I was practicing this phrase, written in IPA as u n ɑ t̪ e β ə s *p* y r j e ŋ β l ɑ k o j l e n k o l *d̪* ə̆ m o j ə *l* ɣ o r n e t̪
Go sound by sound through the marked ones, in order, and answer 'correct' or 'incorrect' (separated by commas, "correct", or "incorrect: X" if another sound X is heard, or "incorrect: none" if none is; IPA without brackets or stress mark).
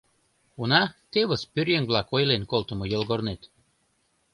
correct, incorrect: t̪, correct